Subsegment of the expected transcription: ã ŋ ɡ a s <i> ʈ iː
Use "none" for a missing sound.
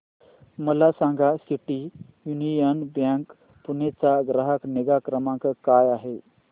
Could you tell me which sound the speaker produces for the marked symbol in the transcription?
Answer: i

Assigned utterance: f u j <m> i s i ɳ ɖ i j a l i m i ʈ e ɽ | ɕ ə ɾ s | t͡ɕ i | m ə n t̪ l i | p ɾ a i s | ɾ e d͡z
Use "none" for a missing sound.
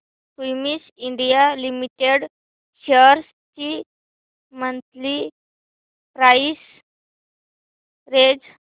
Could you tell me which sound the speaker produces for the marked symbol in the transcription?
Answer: m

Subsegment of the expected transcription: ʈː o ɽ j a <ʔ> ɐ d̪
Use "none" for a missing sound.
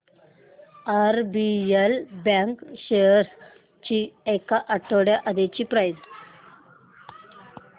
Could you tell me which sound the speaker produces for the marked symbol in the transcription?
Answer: ʔ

